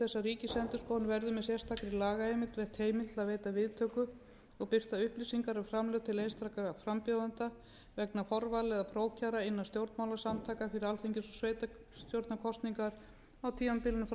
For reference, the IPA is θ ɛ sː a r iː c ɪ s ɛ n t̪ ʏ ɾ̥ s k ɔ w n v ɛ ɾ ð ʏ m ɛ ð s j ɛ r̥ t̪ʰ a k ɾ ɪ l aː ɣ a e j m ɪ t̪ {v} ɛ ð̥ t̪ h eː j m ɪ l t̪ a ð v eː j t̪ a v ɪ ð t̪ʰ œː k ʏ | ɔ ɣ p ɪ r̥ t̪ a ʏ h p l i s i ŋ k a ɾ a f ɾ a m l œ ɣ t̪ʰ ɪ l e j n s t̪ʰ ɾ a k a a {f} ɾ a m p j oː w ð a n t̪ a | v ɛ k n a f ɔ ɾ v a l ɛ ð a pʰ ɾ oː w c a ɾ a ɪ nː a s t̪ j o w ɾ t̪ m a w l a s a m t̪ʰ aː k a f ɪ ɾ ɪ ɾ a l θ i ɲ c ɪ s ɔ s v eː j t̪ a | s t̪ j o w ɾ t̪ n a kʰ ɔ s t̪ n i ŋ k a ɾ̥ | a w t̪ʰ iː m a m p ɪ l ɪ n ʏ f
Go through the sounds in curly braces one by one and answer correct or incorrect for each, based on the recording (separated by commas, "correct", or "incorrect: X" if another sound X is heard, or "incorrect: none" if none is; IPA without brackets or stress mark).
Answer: correct, correct